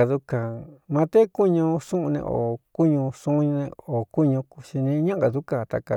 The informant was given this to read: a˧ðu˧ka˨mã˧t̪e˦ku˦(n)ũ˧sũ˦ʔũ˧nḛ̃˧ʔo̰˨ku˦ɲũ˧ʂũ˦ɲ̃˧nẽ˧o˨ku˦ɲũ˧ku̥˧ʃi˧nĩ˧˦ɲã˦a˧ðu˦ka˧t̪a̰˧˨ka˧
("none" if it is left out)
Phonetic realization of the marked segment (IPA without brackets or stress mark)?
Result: ɲ